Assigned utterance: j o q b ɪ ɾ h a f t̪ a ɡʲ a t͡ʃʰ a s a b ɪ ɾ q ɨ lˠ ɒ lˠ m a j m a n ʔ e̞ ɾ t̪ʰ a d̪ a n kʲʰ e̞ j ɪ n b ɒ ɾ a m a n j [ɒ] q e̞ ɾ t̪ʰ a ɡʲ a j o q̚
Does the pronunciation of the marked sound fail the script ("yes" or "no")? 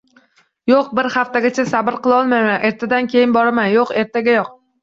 yes